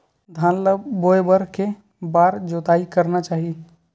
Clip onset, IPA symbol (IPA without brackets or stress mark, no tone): d̪ʱ